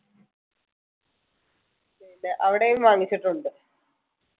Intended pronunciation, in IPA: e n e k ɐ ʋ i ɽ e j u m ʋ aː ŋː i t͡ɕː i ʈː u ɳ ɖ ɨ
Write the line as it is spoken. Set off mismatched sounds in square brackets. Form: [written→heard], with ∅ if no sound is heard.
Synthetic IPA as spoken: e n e [k→ʔ] ɐ ʋ i ɽ e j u m ʋ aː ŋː i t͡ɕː i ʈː u ɳ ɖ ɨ